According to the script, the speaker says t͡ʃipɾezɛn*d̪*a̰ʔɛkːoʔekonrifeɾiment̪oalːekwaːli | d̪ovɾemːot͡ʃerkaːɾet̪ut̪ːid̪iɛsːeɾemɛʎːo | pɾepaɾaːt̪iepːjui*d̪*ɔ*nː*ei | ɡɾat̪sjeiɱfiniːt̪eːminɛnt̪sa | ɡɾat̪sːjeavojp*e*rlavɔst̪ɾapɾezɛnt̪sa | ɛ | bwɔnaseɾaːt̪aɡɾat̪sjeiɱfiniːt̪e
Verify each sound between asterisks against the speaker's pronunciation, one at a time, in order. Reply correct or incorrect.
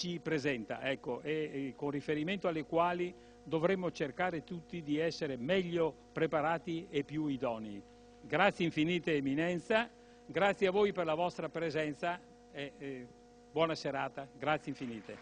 incorrect, correct, incorrect, correct

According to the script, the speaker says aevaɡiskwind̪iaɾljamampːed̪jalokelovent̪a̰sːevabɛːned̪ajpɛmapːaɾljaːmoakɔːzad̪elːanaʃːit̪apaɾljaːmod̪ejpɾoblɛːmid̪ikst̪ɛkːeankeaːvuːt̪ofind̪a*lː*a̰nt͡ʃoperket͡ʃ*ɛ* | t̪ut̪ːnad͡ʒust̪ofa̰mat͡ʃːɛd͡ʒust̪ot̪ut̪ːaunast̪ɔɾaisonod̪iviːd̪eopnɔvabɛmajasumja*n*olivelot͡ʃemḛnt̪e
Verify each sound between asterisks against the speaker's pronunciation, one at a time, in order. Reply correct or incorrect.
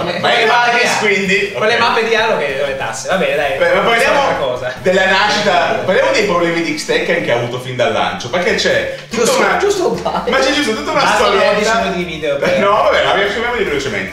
correct, correct, incorrect

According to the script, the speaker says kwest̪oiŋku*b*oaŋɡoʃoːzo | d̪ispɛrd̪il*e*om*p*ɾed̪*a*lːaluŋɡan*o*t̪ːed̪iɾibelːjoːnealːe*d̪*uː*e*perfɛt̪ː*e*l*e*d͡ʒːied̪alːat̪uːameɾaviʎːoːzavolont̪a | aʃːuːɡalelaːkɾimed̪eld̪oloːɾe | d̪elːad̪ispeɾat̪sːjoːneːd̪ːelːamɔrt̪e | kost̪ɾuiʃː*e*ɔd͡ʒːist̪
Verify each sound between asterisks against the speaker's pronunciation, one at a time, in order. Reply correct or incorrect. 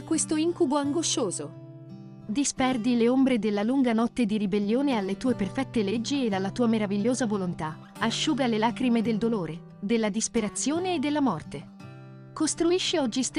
correct, correct, incorrect, incorrect, incorrect, incorrect, correct, correct, correct, incorrect

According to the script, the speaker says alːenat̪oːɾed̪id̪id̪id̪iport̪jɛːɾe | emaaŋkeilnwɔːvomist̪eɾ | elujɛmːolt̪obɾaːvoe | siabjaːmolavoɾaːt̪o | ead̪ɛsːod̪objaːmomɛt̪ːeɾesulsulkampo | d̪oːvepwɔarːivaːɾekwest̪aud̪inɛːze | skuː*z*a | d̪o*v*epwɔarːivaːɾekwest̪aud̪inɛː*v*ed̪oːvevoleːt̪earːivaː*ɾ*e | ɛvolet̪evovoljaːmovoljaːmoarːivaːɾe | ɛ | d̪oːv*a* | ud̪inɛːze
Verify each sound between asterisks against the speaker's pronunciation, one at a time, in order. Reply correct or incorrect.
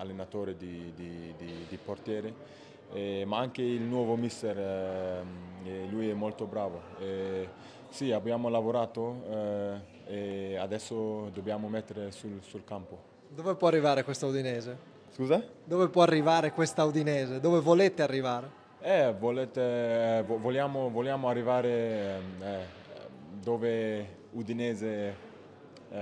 correct, correct, incorrect, correct, incorrect

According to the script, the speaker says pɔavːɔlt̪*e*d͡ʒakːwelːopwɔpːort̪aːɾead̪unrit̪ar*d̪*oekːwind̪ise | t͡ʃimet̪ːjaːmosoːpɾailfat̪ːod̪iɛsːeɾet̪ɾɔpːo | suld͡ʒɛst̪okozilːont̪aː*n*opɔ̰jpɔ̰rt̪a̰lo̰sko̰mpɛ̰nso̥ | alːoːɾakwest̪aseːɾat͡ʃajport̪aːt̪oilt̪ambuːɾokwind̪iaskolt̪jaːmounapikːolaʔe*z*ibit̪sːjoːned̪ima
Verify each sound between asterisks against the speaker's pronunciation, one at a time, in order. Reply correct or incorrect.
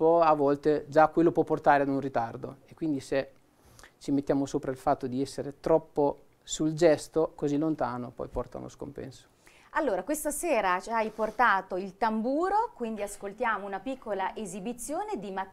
correct, correct, correct, correct

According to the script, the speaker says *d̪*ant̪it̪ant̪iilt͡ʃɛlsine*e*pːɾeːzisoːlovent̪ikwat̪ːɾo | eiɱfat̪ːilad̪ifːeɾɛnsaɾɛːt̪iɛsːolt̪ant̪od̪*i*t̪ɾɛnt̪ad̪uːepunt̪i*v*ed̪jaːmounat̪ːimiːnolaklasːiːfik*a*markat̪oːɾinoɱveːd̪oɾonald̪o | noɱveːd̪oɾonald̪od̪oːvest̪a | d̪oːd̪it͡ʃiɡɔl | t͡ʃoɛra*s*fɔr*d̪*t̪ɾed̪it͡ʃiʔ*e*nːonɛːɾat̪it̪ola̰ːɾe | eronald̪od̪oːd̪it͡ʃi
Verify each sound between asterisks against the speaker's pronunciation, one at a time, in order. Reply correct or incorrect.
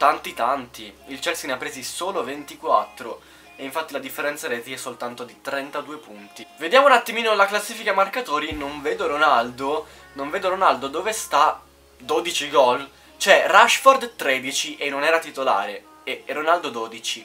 incorrect, incorrect, correct, correct, correct, incorrect, correct, correct

